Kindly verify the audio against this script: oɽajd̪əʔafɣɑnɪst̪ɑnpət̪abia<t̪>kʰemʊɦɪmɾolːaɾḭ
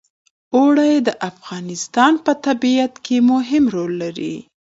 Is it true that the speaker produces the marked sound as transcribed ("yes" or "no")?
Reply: yes